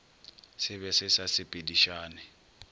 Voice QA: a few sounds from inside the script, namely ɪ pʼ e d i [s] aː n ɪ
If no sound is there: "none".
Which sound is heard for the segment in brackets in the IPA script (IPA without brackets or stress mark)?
ʃ